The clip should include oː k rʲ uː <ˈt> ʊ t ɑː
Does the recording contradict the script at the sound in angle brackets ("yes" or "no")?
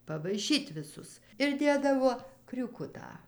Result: yes